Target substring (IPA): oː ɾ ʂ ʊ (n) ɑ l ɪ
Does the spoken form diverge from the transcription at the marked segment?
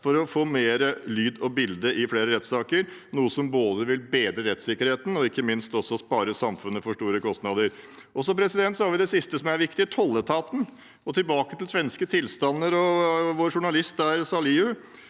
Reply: yes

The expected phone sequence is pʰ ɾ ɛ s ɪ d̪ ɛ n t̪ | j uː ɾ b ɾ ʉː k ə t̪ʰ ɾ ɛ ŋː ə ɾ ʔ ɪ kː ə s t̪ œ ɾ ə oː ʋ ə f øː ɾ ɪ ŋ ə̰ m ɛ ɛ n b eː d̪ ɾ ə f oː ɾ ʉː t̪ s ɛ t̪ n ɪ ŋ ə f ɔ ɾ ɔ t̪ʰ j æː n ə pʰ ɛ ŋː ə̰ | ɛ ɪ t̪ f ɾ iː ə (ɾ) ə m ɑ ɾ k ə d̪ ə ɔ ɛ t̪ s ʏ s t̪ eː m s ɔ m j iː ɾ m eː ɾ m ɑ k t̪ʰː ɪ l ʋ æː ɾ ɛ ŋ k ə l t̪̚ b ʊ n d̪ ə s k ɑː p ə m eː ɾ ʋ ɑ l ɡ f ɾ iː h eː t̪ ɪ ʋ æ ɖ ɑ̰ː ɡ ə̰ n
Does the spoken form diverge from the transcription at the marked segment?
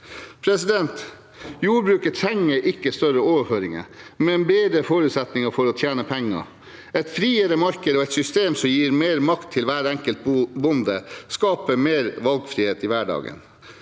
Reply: no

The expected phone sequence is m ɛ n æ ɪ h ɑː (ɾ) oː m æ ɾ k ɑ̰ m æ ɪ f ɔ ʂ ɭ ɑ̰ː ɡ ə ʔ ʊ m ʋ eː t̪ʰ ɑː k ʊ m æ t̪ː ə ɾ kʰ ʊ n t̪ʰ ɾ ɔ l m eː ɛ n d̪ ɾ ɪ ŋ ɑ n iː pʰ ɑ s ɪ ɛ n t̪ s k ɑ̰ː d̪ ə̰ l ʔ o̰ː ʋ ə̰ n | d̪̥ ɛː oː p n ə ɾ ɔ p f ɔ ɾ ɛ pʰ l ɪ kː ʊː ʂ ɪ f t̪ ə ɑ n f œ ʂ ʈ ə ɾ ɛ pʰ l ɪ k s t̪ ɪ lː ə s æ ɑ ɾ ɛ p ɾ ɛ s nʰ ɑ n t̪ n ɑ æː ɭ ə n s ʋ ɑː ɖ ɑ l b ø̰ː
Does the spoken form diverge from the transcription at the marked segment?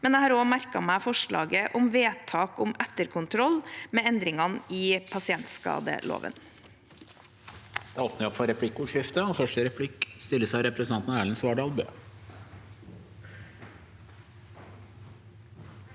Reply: no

